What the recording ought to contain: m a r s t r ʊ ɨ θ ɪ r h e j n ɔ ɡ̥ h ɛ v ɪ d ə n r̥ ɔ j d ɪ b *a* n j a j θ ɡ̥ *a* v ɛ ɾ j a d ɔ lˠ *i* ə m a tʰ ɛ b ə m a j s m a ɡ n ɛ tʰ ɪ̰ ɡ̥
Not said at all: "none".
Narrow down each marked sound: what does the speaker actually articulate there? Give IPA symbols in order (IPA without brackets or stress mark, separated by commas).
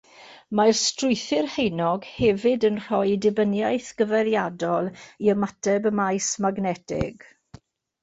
ə, ə, i